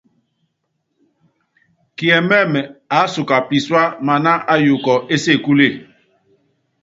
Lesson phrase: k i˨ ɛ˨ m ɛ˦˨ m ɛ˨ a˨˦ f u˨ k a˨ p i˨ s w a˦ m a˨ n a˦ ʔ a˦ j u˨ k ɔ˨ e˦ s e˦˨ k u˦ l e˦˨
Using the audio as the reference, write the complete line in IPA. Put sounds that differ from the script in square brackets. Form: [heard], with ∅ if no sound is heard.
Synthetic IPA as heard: k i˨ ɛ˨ m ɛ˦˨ m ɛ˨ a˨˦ [s] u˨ k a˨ p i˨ s w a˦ m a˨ n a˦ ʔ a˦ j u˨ k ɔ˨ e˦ s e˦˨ k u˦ l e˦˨